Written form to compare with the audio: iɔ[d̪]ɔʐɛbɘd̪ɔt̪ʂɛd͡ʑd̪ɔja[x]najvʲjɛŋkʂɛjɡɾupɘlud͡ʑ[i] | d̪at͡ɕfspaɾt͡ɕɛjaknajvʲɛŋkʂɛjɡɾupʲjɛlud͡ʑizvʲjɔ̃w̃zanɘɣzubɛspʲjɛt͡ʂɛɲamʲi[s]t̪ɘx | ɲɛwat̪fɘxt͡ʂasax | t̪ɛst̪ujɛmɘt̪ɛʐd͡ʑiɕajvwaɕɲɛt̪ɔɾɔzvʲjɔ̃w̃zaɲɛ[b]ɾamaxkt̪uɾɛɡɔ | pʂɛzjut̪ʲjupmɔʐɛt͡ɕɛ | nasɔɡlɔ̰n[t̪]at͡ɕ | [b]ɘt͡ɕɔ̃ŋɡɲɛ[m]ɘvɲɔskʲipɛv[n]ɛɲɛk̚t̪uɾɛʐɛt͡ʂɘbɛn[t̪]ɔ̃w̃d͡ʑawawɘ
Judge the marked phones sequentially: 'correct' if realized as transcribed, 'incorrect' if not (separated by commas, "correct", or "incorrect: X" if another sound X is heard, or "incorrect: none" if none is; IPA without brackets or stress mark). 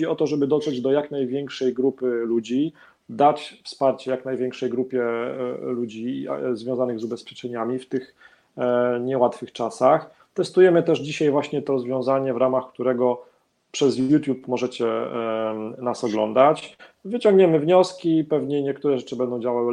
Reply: incorrect: t̪, incorrect: k, correct, incorrect: f, incorrect: v, incorrect: d̪, incorrect: v, correct, incorrect: ɲ, incorrect: d̪